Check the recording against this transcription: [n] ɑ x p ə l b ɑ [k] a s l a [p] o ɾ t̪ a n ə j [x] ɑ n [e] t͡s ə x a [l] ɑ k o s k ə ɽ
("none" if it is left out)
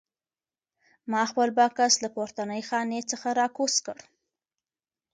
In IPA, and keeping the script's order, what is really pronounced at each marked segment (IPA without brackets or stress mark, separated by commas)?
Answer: m, k, p, x, e, ɾ